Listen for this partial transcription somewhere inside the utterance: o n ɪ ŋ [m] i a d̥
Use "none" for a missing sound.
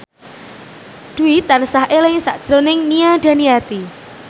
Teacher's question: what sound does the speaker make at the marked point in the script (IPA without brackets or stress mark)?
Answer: n